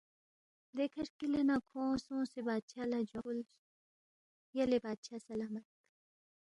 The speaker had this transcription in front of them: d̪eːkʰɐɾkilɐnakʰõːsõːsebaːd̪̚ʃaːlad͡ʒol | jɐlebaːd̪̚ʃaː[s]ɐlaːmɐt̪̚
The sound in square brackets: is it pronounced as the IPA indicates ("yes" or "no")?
yes